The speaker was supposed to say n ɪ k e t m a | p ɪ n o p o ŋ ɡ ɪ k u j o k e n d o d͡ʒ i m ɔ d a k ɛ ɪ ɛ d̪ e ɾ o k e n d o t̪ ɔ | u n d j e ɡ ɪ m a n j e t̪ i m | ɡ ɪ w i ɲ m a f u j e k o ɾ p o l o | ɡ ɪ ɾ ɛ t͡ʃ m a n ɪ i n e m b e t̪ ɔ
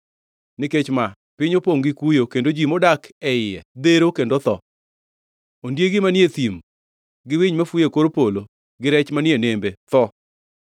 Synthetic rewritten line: n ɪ k e t͡ʃ m a | p ɪ ɲ o p o ŋ ɡ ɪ k u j o k e n d o d͡ʒ i m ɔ d a k ɛ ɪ ɛ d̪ e ɾ o k e n d o t̪ ɔ | o n d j e ɡ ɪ m a n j e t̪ i m | ɡ ɪ w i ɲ m a f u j e k o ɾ p o l o | ɡ ɪ ɾ ɛ t͡ʃ m a n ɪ e n e m b e t̪ ɔ